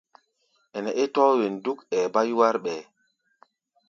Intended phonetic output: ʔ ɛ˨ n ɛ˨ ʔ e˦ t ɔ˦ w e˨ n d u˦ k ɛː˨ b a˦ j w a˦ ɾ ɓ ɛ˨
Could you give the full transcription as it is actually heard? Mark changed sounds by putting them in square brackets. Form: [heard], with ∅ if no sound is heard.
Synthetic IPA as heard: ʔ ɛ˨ n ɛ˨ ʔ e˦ t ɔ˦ w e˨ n d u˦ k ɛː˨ b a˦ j w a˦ ɾ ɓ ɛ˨